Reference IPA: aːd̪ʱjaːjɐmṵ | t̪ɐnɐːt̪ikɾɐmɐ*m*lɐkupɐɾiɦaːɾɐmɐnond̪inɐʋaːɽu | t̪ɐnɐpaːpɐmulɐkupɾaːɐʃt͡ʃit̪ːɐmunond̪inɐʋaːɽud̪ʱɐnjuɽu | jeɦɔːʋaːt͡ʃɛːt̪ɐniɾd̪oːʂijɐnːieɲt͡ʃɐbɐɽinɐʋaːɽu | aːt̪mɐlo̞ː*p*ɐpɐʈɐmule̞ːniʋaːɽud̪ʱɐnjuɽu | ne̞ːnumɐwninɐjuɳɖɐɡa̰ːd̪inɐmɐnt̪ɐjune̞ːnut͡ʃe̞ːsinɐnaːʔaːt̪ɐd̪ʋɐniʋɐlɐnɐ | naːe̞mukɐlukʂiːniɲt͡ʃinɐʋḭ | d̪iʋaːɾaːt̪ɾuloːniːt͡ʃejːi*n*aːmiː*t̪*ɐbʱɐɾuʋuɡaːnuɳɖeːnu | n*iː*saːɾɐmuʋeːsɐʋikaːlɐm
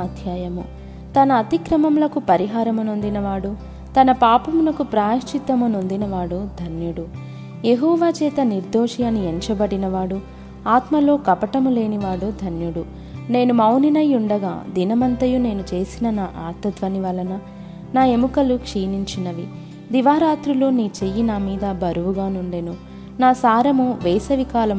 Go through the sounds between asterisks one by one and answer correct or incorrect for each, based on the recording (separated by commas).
correct, incorrect, correct, incorrect, incorrect